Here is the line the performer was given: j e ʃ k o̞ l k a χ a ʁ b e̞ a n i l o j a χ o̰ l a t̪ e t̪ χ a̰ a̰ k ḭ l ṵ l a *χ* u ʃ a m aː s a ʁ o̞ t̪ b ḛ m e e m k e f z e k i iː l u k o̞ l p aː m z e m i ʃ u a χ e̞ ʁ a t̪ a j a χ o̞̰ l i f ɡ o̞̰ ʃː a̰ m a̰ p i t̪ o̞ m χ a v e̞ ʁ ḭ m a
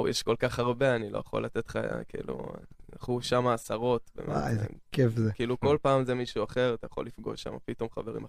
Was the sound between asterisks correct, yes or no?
yes